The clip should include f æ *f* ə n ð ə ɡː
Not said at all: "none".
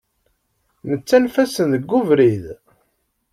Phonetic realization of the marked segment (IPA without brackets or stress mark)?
s